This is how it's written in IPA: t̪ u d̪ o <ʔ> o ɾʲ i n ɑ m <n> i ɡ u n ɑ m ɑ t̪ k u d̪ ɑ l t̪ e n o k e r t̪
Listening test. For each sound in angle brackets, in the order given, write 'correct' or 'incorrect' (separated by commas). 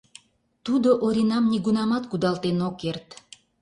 correct, correct